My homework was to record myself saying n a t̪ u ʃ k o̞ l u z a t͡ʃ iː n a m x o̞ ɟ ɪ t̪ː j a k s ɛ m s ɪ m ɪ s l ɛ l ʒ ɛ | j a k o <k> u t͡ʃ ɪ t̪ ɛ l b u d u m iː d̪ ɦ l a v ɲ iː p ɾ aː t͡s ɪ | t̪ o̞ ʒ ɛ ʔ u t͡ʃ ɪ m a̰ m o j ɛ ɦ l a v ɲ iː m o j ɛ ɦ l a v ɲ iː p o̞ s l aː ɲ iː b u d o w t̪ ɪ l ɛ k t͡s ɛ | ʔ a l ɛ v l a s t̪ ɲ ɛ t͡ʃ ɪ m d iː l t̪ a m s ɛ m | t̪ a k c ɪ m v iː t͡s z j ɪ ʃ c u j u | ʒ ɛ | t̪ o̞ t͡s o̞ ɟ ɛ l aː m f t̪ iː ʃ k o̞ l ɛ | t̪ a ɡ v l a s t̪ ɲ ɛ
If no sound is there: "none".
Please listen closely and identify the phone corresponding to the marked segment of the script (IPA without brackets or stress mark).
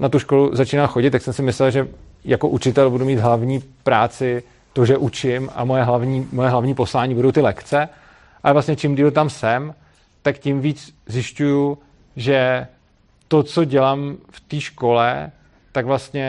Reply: ʔ